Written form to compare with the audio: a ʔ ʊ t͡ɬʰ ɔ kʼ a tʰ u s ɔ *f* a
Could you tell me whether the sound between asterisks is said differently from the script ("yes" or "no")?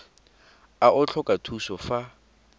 no